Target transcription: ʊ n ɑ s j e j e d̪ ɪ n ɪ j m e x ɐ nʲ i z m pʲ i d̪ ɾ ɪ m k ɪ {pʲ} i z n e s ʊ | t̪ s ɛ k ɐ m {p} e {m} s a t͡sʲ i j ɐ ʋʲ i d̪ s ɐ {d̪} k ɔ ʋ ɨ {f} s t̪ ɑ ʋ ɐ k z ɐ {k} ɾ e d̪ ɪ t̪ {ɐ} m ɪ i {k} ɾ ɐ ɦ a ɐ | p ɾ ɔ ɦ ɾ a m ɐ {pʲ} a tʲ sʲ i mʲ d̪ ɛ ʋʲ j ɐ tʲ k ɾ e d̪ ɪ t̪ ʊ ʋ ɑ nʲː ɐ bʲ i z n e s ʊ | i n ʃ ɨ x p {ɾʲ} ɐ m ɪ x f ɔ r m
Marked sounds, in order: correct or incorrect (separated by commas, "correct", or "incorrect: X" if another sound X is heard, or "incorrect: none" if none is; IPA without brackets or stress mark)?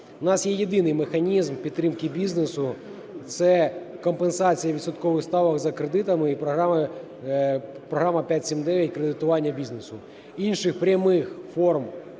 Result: incorrect: bʲ, correct, incorrect: n, incorrect: t̪, incorrect: x, correct, correct, incorrect: p, correct, correct